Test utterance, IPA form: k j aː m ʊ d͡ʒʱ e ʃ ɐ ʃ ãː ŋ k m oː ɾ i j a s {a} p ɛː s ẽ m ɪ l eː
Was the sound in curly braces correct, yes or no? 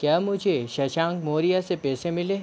no